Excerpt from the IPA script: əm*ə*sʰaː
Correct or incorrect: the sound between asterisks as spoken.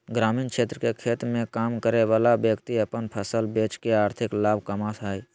incorrect: a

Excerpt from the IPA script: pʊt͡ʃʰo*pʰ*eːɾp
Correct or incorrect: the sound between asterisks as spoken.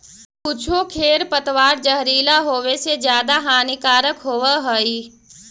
incorrect: kʰ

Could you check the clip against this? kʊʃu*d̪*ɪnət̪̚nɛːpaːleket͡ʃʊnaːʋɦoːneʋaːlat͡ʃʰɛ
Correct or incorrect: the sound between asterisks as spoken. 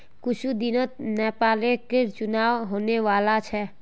correct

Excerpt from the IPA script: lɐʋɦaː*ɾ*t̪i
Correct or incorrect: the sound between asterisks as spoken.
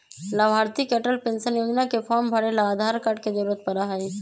correct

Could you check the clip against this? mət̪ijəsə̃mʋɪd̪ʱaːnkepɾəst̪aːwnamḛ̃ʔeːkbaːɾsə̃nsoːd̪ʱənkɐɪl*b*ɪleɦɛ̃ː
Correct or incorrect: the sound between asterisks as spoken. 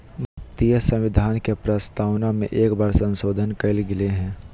incorrect: ɡ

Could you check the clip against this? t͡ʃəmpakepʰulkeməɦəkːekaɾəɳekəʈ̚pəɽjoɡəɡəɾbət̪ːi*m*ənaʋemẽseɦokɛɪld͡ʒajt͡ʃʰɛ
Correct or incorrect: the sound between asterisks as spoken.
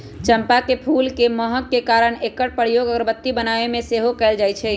incorrect: b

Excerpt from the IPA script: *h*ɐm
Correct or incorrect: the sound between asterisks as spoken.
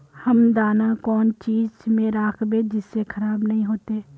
correct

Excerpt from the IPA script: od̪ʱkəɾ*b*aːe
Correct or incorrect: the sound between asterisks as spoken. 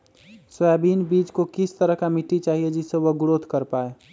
incorrect: p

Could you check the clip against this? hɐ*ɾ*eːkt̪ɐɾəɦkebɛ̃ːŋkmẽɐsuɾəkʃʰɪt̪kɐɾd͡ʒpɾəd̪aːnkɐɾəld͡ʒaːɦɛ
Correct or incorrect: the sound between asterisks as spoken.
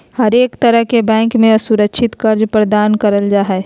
correct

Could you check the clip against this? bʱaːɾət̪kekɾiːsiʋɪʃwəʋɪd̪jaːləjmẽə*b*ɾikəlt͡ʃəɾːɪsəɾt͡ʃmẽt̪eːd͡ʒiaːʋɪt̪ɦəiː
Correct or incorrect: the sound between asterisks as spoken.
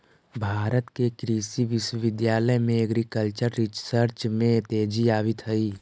incorrect: ɡ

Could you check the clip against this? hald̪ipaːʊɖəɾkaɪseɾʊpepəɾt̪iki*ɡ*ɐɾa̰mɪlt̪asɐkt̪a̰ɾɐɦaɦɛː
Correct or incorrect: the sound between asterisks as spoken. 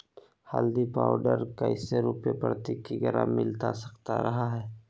correct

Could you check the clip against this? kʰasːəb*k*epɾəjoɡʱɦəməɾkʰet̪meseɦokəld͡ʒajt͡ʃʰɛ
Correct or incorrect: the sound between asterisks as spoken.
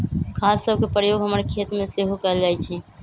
correct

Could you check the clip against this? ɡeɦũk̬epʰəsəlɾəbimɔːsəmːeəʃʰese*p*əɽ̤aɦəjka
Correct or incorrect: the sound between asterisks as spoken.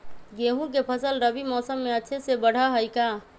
incorrect: b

